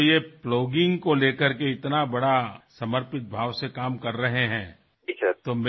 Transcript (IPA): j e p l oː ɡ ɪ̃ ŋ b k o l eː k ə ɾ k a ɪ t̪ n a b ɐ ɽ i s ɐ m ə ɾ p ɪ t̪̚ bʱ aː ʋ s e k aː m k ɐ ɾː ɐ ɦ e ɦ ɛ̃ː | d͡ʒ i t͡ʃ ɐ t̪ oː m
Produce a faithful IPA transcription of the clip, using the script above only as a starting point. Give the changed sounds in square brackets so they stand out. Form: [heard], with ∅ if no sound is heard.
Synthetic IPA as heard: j e p l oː ɡ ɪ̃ ŋ [ɡ] k o l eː k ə ɾ k [e] ɪ t̪ n a b ɐ ɽ [a] s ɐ m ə ɾ p ɪ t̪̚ bʱ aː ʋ s e k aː m k ɐ ɾː ɐ ɦ e ɦ ɛ̃ː | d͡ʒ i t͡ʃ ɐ t̪ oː m